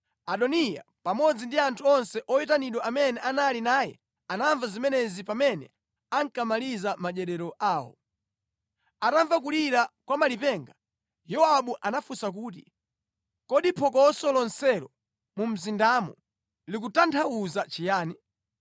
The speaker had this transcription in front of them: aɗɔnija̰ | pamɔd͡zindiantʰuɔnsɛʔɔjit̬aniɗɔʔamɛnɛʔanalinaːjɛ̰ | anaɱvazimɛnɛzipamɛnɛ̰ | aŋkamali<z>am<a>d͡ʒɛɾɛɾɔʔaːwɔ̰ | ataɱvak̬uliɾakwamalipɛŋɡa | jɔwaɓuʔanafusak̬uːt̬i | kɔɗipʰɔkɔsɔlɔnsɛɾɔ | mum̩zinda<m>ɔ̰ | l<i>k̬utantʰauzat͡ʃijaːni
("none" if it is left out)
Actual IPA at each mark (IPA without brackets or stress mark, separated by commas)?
z, a, m, i